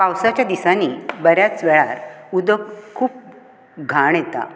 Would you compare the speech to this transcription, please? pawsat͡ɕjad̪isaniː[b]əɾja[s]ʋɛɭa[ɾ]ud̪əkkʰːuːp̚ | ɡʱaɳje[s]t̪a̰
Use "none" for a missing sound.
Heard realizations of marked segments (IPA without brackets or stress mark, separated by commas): b, t͡s, ɾ, none